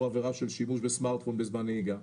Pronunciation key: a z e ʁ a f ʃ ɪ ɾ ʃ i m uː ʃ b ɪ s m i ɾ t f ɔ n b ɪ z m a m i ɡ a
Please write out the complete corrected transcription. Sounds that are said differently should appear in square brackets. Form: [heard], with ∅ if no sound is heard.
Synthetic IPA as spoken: a [v] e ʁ a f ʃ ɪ [l] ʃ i m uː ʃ b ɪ s m [a] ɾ t f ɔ n b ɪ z m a [n] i ɡ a